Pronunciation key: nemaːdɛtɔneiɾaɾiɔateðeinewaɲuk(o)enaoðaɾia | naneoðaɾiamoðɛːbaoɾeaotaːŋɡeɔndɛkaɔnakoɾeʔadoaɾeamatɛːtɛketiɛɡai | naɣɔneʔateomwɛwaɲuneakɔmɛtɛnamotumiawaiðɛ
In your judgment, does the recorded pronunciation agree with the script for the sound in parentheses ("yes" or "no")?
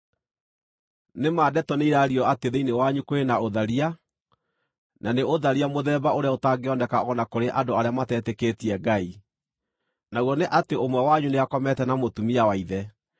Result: yes